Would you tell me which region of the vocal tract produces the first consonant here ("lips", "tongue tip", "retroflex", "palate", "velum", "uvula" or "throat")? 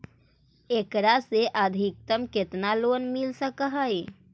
velum